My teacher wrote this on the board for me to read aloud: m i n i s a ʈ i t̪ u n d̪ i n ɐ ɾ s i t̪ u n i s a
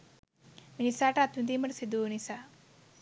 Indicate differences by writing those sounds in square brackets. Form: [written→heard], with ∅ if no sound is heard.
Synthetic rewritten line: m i n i s a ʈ [i→a] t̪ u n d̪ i [n→m] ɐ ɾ s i [t̪→d̪] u n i s a